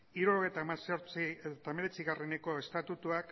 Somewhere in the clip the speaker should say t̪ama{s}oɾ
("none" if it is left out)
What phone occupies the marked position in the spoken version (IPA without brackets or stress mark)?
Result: s